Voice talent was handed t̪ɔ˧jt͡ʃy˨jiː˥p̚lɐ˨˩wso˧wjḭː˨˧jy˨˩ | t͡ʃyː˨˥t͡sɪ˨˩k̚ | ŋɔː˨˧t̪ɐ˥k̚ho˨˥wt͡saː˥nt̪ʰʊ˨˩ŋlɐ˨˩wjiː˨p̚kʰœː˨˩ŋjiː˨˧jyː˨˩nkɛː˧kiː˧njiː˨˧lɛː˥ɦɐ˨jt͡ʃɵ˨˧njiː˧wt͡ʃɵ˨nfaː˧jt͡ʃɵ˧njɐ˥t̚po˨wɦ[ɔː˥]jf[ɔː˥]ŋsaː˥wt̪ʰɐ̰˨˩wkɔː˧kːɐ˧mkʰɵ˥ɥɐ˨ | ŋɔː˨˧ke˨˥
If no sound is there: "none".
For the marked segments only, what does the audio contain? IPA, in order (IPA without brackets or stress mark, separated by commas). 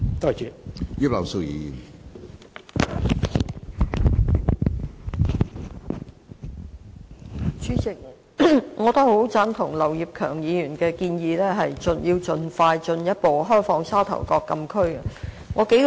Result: ɔː˥, ɔː˧